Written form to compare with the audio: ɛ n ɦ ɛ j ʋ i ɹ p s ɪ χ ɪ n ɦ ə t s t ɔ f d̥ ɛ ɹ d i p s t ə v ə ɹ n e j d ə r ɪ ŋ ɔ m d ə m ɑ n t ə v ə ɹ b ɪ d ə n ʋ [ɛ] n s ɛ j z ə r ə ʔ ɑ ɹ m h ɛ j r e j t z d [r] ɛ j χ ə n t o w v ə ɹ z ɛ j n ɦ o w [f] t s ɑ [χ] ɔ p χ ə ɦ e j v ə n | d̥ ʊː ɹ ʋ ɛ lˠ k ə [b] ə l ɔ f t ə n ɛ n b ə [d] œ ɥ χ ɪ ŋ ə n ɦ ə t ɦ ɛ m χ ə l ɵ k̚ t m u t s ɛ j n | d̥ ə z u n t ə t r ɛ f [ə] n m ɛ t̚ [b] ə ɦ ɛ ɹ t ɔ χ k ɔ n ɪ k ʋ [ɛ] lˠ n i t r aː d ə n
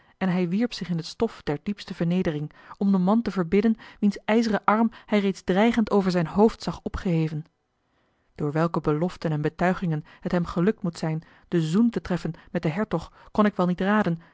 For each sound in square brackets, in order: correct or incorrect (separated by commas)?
incorrect, correct, correct, correct, correct, incorrect, correct, incorrect, correct